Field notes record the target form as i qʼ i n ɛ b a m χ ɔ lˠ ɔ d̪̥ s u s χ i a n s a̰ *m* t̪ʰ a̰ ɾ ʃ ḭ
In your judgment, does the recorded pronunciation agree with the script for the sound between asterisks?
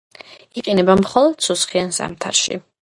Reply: yes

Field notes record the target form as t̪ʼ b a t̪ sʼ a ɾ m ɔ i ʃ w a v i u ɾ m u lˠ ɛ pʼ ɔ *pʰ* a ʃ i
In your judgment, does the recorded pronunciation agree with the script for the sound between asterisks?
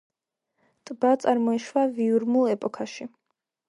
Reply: no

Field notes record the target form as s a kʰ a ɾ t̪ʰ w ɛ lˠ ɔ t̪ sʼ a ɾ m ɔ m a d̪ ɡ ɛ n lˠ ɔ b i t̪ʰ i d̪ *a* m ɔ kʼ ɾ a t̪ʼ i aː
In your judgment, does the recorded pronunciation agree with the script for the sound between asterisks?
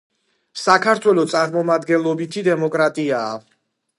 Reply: no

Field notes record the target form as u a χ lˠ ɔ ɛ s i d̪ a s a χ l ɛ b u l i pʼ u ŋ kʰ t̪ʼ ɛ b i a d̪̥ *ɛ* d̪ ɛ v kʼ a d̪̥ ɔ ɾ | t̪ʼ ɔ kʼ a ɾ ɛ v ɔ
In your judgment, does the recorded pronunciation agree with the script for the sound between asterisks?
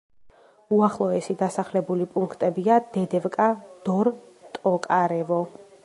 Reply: yes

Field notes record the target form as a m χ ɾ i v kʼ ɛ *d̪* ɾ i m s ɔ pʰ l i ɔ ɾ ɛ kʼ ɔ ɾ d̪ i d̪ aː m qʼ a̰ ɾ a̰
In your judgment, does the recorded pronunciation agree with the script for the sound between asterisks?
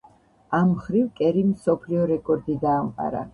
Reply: no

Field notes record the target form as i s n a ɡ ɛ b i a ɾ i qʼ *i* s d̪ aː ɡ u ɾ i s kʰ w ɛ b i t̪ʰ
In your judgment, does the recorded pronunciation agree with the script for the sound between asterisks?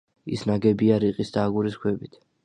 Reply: yes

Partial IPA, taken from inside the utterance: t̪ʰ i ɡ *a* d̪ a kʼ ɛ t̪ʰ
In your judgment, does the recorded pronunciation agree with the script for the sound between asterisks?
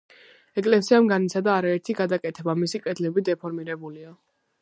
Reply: yes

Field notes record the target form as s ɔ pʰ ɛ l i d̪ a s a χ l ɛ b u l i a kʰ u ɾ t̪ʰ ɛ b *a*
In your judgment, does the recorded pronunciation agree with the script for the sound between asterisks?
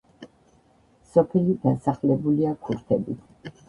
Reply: no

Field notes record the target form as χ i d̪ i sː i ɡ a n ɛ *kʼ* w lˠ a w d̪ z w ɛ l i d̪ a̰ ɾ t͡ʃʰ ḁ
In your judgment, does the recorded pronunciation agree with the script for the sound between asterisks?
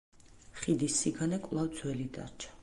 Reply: yes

